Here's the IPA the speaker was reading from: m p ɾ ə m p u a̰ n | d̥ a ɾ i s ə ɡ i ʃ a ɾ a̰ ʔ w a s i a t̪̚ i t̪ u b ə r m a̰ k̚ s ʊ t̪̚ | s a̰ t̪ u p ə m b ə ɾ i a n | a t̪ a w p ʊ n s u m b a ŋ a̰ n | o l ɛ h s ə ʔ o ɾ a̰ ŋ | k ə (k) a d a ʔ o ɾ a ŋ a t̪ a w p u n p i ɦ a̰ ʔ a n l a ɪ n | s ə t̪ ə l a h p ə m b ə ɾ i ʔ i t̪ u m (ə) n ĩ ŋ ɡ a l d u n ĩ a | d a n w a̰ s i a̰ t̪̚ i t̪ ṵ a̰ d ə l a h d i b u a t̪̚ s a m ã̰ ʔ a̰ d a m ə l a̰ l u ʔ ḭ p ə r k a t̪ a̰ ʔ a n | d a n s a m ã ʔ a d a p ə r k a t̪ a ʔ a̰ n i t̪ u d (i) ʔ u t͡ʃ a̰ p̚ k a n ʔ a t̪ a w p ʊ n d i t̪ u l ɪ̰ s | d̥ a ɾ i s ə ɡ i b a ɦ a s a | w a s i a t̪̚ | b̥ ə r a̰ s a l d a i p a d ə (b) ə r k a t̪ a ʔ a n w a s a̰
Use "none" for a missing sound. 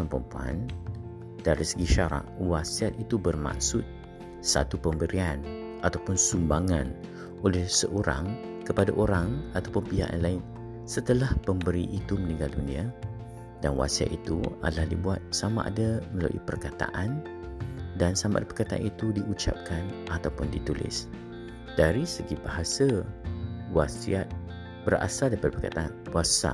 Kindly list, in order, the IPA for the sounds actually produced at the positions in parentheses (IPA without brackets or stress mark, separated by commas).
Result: p, ə, i, p